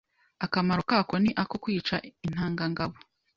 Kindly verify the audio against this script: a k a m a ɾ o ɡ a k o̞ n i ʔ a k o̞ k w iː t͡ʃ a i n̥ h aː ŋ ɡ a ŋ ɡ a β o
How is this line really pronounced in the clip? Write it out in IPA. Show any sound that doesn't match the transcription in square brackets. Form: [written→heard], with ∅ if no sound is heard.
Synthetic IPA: a k a m a ɾ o [ɡ→k] a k o̞ n i ʔ a k o̞ k w iː t͡ʃ a i n̥ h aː ŋ ɡ a ŋ ɡ a β o